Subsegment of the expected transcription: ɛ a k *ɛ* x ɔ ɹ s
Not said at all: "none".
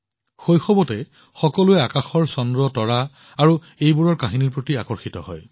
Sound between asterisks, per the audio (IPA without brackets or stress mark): a